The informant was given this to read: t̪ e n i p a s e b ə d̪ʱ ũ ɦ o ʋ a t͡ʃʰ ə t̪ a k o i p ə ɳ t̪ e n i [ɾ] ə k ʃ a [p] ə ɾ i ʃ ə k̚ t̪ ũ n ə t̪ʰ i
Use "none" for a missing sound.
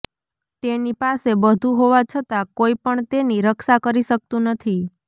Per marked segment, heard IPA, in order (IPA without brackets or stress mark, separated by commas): ɾ, k